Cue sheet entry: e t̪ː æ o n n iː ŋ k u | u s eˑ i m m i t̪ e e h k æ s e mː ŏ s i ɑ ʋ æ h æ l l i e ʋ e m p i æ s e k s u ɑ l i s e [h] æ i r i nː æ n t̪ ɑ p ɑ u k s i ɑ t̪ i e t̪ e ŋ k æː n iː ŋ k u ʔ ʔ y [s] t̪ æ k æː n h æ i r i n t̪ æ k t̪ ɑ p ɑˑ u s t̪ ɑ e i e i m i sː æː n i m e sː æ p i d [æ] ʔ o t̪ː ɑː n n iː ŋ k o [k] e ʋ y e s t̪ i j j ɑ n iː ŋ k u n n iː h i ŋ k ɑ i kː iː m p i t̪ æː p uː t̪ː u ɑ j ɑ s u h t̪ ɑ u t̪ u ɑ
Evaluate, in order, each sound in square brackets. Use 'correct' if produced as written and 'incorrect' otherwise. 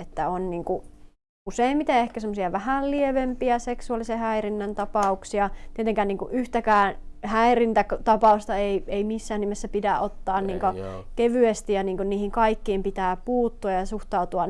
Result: correct, incorrect: h, correct, correct

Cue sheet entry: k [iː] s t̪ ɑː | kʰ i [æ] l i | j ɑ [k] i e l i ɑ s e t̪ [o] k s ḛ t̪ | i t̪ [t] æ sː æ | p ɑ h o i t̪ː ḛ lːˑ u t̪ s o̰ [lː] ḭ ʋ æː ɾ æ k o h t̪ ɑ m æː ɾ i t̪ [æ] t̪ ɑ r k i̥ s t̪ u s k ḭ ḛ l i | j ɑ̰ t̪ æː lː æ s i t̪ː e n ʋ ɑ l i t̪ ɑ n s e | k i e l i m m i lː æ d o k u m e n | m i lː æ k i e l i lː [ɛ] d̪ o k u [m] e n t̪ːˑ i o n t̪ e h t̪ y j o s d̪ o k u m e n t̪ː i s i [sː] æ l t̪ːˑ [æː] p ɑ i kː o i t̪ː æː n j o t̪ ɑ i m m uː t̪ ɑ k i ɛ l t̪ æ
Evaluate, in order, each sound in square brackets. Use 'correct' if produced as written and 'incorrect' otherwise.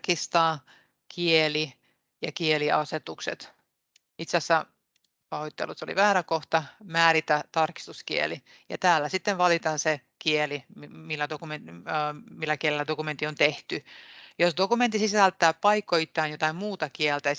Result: incorrect: i, incorrect: e, correct, incorrect: u, incorrect: s, incorrect: l, correct, incorrect: æ, correct, incorrect: s, correct

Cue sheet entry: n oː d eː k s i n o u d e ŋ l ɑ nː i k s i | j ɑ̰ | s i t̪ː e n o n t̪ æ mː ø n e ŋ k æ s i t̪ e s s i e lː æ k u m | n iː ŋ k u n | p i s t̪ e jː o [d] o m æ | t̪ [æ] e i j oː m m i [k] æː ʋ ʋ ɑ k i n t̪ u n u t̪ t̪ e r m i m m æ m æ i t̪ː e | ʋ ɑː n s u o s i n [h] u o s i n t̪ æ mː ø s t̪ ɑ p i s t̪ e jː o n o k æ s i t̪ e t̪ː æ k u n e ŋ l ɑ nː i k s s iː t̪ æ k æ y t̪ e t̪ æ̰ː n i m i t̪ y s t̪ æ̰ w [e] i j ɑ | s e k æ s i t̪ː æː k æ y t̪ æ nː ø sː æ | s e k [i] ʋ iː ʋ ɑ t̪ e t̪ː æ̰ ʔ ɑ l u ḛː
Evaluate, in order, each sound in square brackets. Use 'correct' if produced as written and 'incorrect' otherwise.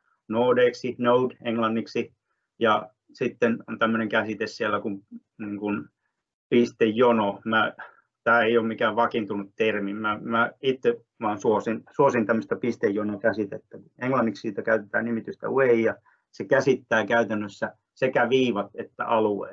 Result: incorrect: n, incorrect: æː, correct, incorrect: s, correct, incorrect: æ

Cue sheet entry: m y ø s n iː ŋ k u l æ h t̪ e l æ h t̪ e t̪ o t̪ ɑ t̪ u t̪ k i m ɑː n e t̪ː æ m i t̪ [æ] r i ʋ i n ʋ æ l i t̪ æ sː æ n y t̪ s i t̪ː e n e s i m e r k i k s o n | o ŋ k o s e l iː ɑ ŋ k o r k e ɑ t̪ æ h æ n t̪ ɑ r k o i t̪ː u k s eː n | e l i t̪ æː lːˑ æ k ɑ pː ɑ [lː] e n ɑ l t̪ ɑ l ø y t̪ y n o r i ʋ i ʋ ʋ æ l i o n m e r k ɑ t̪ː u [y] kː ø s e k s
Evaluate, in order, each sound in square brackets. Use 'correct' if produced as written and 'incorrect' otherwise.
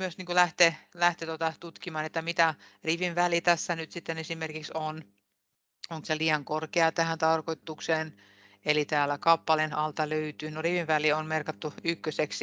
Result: correct, incorrect: l, correct

